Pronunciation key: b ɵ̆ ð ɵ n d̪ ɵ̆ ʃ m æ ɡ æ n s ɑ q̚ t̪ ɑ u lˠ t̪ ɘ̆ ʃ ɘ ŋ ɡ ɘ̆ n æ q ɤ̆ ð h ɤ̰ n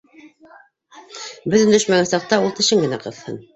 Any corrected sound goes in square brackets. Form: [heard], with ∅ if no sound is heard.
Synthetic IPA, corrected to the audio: b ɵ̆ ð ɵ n d̪ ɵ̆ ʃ m æ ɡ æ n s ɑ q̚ t̪ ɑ u lˠ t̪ ɘ̆ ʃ ɘ ŋ ɡ ɘ̆ n æ q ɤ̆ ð h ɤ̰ n